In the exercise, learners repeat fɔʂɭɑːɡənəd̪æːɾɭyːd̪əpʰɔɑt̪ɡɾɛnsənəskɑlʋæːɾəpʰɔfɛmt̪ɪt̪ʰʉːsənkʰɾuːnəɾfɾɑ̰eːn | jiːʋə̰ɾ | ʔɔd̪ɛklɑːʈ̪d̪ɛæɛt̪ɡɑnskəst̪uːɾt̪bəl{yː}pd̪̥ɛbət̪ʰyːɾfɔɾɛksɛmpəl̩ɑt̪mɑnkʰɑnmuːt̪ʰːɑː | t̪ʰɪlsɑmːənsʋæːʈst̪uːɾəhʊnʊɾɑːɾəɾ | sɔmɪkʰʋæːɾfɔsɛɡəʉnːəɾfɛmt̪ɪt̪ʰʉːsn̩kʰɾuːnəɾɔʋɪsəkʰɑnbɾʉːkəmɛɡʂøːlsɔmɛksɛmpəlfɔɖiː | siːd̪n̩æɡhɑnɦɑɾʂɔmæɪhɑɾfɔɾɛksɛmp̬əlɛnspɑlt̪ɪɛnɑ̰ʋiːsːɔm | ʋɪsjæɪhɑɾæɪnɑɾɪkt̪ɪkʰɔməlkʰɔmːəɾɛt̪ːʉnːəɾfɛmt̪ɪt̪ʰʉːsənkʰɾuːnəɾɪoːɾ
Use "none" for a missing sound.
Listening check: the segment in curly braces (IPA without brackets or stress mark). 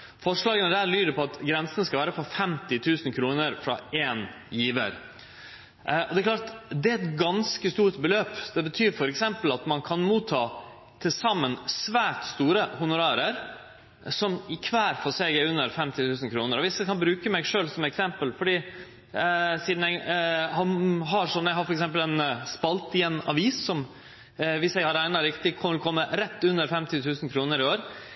øː